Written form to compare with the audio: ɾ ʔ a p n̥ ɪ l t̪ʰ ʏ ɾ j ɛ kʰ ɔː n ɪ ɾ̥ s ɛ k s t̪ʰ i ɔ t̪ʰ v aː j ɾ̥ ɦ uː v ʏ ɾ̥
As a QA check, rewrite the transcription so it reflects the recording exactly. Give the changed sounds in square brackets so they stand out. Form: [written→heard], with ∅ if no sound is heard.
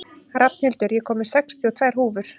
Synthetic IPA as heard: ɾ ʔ a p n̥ ɪ l [t̪ʰ→t̪] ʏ ɾ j ɛ kʰ ɔː [n→m] ɪ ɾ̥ s ɛ k s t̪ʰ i ɔ t̪ʰ v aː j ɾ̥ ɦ uː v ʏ ɾ̥